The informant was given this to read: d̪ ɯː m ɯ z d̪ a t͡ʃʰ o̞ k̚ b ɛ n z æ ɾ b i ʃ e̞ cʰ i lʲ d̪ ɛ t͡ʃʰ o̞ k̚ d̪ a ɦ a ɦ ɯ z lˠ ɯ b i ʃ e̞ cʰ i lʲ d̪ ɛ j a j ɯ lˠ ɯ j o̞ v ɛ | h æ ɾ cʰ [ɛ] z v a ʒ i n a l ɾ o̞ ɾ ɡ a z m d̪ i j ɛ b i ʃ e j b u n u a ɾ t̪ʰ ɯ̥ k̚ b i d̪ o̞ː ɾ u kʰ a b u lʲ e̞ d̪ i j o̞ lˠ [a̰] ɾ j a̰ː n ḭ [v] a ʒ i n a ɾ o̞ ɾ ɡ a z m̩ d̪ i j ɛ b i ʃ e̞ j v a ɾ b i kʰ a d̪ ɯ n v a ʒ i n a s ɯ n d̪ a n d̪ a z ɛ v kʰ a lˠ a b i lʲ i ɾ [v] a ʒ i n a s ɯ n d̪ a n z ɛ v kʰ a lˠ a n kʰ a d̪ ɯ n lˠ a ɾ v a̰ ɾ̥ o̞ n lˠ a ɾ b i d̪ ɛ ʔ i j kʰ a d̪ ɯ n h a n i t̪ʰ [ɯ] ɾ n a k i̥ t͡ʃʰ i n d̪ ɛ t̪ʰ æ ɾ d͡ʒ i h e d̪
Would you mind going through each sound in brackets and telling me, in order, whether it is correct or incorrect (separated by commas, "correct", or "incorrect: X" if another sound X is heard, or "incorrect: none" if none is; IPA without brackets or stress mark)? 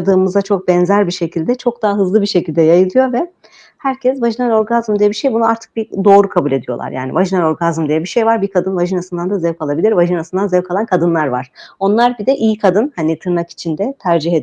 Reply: correct, correct, correct, correct, correct